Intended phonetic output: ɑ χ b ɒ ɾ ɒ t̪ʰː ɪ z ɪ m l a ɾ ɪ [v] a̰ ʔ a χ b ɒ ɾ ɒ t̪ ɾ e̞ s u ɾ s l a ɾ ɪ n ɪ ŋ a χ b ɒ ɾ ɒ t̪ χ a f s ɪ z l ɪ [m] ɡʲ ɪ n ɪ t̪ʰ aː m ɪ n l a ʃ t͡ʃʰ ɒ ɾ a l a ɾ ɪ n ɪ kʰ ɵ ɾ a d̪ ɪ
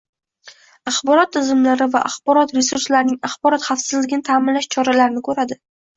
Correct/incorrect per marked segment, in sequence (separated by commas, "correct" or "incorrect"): correct, incorrect